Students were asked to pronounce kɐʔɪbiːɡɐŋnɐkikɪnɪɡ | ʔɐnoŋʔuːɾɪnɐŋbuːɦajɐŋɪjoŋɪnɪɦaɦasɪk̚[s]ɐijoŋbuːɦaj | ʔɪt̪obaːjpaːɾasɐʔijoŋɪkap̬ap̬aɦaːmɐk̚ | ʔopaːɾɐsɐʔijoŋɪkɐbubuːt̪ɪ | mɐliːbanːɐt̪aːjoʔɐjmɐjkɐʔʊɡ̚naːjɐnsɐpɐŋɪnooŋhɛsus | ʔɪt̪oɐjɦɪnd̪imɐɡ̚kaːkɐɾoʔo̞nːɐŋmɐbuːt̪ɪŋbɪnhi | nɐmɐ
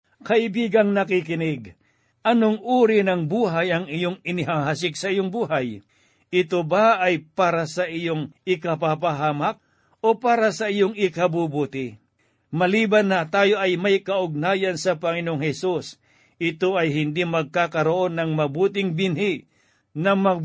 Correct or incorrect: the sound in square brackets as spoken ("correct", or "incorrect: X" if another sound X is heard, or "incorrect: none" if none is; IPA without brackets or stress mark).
correct